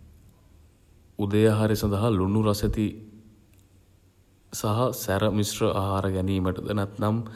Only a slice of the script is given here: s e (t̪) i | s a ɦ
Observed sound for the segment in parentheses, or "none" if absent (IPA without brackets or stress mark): t̪